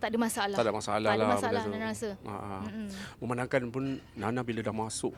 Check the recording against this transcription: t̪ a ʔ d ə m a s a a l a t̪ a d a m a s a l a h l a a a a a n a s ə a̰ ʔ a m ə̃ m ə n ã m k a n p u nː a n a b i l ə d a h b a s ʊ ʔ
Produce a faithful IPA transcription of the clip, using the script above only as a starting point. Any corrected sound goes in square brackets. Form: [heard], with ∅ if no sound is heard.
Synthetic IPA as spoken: t̪ a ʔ d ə m a s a a l a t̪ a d a m a s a l a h l a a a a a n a s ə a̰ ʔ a m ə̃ m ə n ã [ŋ] k a n p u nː a n a b i l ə d a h [m] a s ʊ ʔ